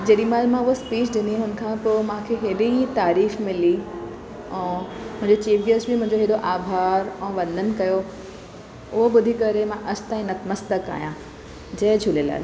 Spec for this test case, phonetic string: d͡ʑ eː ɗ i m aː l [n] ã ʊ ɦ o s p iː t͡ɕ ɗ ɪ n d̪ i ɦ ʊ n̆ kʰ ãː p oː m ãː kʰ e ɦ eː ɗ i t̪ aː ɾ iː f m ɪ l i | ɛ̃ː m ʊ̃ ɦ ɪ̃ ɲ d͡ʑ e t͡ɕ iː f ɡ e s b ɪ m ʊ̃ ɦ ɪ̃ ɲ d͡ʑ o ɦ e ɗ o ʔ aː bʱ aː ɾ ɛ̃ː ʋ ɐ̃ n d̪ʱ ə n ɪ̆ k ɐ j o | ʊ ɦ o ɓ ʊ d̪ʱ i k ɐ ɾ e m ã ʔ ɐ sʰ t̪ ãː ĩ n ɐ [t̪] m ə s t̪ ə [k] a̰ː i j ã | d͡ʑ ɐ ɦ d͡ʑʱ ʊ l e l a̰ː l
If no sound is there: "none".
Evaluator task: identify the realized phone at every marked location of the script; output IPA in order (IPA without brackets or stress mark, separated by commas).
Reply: m, t̪, k